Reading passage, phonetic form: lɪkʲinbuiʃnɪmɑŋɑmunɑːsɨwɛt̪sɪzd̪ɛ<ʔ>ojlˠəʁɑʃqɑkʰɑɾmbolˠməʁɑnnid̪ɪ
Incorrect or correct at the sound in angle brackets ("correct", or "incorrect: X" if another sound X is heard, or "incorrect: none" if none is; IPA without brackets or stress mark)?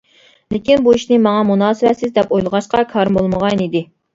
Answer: incorrect: p